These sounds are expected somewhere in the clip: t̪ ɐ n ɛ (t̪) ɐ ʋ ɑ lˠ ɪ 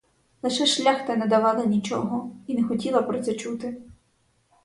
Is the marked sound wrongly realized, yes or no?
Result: yes